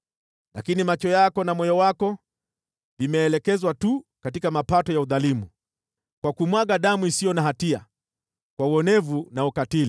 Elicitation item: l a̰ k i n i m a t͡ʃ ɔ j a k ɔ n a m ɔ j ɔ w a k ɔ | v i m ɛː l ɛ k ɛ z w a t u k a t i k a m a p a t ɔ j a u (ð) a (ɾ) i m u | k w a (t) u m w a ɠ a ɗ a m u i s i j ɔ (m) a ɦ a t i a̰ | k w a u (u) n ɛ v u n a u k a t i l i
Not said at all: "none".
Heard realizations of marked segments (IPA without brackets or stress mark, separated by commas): ð, l, k, n, ɔ